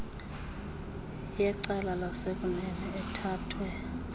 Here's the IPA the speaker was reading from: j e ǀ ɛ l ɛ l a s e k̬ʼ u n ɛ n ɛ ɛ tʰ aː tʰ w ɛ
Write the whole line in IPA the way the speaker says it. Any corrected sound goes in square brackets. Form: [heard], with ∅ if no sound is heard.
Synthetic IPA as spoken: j [ɛ] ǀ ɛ l [a] l a s e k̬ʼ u n ɛ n ɛ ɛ tʰ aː tʰ w ɛ